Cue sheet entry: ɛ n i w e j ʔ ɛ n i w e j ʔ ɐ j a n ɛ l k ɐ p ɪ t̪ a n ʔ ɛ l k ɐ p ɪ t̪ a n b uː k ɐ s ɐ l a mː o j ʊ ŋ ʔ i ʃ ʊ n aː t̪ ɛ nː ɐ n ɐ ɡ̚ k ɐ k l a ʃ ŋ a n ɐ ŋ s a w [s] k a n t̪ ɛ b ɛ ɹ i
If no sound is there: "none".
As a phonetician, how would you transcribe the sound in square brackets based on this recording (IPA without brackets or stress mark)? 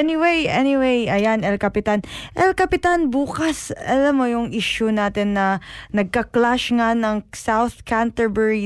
θ